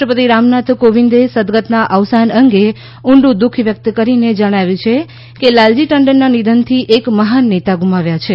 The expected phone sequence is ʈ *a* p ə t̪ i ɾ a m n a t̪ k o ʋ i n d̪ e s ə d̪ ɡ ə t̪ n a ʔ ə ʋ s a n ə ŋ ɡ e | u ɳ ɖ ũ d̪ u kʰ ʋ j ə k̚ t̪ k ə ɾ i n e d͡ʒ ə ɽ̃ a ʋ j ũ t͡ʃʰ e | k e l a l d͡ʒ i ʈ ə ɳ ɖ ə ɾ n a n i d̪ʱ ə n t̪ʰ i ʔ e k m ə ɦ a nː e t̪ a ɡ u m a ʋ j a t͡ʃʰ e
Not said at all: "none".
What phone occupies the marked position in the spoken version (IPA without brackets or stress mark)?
ə